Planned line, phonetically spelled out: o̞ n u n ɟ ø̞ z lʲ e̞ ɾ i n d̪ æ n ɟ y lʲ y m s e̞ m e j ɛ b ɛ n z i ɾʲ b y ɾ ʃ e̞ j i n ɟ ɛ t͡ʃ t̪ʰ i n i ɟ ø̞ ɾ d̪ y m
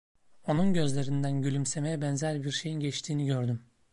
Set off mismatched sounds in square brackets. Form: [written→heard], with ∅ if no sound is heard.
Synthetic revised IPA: o̞ n u n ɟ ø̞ z lʲ e̞ ɾ i n d̪ æ n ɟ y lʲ y m s e̞ m e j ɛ b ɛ n z [i→æ] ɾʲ b [y→i] ɾ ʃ e̞ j i n ɟ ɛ t͡ʃ t̪ʰ [i→iː] n i ɟ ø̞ ɾ d̪ y m